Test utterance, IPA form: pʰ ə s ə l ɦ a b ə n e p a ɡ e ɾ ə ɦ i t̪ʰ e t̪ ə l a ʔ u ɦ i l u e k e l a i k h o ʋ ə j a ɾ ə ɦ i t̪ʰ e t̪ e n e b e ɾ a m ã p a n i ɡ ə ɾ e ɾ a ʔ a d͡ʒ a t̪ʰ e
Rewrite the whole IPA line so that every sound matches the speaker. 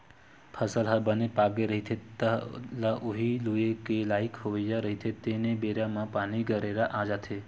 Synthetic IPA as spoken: pʰ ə s ə l ɦ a b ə n e p a ɡ e ɾ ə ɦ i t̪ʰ e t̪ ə l a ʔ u ɦ i l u e k e l a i k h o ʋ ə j a ɾ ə ɦ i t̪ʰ e t̪ e n e b e ɾ a m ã p a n i ɡ ə ɾ e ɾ a ʔ a d͡ʒ a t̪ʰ e